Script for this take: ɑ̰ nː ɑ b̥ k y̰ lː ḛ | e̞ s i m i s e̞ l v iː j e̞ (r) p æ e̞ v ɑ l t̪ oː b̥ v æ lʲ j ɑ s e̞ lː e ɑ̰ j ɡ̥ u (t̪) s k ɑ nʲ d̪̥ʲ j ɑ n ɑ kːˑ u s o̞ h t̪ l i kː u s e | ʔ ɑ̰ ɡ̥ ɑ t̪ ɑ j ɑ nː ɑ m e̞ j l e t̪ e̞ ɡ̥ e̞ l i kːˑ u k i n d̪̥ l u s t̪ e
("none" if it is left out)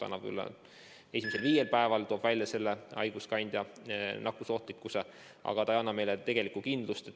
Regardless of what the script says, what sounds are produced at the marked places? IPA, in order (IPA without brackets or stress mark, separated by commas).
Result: l, none